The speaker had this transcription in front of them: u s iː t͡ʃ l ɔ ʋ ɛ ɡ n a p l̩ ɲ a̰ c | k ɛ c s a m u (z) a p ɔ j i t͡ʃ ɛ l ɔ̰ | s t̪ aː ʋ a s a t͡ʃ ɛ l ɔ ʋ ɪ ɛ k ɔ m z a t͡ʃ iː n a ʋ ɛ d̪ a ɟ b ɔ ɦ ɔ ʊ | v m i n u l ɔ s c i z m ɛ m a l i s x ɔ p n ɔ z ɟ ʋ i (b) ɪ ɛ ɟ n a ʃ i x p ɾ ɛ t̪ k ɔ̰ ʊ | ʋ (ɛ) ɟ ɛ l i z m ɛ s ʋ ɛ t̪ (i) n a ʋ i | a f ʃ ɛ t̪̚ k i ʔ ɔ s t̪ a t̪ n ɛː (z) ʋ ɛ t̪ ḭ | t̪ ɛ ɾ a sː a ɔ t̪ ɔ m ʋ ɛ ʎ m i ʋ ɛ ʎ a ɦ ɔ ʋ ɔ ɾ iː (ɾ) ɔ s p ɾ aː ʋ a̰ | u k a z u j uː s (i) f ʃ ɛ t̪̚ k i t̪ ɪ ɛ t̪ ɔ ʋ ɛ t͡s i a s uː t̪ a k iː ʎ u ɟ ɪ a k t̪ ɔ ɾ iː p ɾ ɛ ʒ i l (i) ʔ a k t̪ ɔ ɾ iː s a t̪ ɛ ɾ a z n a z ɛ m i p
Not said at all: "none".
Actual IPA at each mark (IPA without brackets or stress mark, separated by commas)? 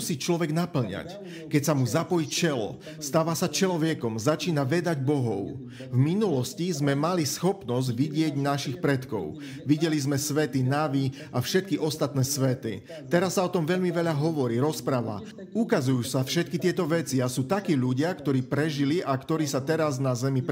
z, ɟ, i, i, s, ɾ, a, i